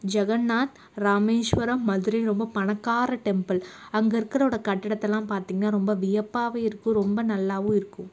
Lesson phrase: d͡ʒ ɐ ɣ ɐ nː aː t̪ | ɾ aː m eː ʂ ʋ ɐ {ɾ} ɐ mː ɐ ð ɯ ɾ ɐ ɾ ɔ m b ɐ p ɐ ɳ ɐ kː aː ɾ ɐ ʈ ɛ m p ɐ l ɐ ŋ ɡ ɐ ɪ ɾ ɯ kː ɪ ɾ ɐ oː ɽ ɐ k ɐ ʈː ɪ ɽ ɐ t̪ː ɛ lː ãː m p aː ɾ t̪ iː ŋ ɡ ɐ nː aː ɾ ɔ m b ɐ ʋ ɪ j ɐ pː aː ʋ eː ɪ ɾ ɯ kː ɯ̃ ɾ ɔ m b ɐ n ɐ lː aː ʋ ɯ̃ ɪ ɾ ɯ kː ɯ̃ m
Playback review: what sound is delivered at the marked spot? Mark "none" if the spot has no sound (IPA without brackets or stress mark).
ɾ